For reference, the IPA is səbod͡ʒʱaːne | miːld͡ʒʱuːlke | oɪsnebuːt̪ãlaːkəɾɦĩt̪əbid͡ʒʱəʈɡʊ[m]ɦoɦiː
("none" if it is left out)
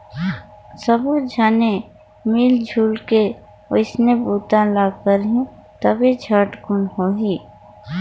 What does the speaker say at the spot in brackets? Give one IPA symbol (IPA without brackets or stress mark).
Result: n